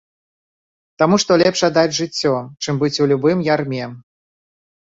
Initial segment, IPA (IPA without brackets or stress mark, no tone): t̪